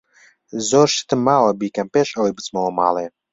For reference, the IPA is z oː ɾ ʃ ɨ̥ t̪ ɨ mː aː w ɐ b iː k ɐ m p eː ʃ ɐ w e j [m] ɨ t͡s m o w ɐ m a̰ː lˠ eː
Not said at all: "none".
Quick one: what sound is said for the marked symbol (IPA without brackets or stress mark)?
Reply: b